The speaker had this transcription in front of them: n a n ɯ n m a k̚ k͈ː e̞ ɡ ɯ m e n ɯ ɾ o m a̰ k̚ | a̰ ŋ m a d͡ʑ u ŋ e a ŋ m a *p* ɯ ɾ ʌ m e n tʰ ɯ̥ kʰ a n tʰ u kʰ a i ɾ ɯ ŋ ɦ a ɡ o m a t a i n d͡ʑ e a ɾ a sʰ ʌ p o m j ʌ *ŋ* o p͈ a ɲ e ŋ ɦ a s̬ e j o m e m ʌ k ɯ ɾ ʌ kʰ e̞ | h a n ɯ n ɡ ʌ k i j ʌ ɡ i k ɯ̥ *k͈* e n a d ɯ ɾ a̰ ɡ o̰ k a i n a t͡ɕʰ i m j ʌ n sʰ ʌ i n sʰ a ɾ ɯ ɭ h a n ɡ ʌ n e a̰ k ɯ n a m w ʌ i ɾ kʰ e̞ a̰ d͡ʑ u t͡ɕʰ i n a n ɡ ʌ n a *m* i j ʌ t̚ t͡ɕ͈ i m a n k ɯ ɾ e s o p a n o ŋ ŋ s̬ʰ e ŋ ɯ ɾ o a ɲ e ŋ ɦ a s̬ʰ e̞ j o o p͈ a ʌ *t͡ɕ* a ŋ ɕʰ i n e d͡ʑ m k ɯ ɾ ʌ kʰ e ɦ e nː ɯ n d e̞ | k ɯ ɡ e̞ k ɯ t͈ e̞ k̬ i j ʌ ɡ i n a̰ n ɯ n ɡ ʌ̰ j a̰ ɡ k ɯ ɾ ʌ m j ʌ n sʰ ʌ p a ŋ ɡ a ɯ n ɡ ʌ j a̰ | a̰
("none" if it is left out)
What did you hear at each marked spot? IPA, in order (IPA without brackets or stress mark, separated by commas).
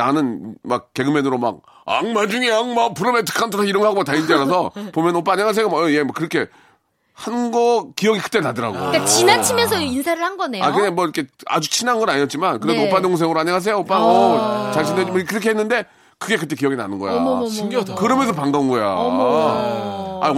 p, n, t͈, ɲ, t͡ɕ